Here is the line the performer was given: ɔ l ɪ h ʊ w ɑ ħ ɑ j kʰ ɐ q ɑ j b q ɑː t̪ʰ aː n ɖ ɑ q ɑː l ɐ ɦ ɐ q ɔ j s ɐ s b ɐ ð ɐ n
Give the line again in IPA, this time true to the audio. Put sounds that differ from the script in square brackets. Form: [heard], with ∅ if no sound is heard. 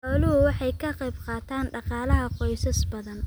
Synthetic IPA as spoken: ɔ l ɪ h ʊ w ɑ ħ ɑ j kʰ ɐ q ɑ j b q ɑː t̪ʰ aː n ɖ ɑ q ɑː l ɐ ɦ ɐ q ɔ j s ɐ s b ɐ ð ɐ n